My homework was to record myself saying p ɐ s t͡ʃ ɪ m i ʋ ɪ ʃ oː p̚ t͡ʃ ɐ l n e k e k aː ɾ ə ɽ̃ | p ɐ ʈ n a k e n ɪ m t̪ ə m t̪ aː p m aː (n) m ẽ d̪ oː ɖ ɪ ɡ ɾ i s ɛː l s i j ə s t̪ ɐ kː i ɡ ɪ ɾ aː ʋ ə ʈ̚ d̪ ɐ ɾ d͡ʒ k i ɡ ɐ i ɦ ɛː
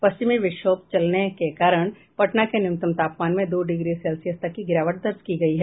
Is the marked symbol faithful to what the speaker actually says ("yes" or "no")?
yes